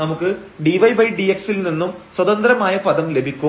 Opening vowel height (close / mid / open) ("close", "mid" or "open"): open